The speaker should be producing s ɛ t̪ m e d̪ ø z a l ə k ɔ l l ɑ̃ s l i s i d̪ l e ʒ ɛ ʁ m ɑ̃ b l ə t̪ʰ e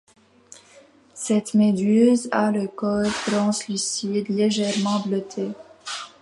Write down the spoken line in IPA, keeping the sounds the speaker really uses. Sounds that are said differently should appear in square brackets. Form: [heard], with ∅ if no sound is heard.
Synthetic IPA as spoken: s ɛ t̪ m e d̪ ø z a l ə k ɔ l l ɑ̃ s l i s i d̪ l e ʒ ɛ ʁ m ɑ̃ b l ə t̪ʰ e